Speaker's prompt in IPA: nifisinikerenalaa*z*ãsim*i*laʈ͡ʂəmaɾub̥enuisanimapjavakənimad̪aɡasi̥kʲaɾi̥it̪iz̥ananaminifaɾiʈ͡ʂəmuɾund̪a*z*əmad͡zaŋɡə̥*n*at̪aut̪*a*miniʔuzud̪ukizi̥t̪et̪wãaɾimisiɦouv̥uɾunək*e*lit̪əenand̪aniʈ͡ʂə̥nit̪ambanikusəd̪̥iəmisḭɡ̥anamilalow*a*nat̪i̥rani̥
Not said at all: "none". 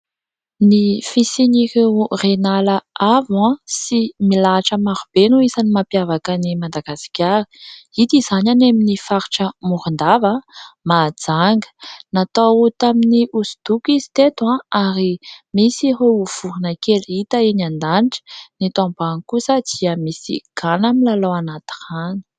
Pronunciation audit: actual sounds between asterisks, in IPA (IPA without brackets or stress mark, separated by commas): v, i, v, n, a, e, a